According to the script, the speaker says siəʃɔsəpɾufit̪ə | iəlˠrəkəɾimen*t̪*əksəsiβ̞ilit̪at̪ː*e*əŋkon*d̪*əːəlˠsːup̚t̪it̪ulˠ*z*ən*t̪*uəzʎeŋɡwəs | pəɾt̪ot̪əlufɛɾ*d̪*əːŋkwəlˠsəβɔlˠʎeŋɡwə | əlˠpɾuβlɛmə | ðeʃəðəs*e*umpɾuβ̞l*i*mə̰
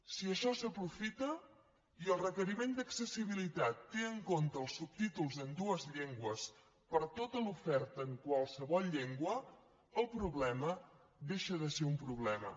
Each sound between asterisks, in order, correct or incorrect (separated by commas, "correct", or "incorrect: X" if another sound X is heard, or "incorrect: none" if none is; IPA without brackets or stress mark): incorrect: d̪, correct, incorrect: t̪, correct, incorrect: d̪, incorrect: t̪, correct, incorrect: ɛ